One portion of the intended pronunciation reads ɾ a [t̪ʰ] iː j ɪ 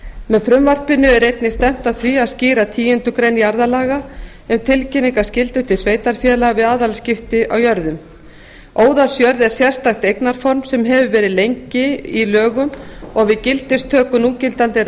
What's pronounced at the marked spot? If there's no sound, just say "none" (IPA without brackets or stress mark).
t̪ʰ